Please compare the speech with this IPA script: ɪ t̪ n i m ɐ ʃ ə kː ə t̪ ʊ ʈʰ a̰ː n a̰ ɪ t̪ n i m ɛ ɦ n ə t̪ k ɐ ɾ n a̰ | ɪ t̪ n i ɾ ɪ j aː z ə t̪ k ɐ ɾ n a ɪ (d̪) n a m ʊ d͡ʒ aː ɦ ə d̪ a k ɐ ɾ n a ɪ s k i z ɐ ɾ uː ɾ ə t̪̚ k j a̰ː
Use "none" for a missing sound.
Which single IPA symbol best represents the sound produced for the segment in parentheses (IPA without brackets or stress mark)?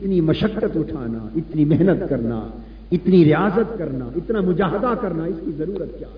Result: t̪